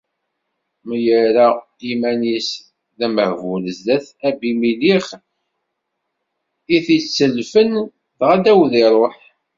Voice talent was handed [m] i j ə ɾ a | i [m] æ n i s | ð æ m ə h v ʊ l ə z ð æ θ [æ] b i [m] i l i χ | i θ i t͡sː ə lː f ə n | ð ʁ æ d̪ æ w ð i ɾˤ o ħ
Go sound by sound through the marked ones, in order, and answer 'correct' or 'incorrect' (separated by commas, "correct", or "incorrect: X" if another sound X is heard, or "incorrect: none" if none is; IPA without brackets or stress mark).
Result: correct, correct, correct, correct